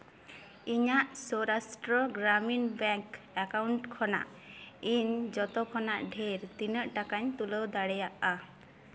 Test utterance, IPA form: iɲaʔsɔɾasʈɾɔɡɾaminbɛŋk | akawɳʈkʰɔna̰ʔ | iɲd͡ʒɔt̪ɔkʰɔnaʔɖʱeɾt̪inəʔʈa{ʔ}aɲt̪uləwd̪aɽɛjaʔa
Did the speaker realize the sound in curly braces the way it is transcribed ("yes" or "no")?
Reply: no